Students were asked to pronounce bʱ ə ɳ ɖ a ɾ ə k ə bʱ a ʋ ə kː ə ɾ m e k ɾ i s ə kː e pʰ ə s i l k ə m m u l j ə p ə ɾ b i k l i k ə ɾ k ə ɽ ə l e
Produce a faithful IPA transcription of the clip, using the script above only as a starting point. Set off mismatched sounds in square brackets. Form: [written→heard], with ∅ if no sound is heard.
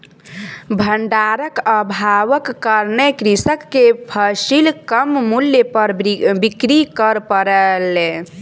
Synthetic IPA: bʱ ə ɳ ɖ a ɾ ə k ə bʱ a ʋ ə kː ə ɾ [m→n] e k ɾ i s ə kː e pʰ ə s i l k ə m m u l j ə p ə ɾ b i k [l→ɾ] i k ə ɾ [k→p] ə [ɽ→ɾ] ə l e